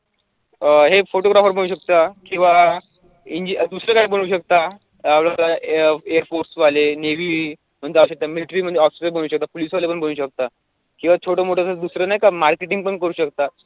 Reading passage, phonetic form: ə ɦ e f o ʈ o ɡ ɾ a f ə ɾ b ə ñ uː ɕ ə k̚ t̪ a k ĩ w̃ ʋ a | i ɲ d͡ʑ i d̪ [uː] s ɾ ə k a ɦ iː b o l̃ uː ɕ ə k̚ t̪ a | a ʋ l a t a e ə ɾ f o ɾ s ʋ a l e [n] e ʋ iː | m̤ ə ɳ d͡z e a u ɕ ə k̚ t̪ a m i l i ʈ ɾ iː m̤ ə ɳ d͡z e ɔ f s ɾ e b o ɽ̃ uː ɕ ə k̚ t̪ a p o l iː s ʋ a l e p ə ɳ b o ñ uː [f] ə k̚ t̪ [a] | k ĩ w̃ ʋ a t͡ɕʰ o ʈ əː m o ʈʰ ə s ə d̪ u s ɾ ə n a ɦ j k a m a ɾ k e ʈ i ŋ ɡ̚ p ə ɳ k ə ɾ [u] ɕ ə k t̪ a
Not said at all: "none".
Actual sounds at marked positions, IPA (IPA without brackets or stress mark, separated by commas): u, n, ɕ, a, uː